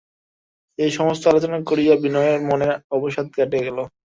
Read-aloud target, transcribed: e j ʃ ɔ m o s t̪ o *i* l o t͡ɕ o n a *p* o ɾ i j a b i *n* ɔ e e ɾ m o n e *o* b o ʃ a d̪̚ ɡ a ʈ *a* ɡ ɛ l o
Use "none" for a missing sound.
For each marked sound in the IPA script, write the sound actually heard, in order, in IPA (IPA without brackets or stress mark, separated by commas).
a, k, n, ɔ, e